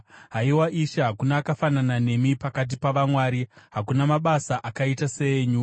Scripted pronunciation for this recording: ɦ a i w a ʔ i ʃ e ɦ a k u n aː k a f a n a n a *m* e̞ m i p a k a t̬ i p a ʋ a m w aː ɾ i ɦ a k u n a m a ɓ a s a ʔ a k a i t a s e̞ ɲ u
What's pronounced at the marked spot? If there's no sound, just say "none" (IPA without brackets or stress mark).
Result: n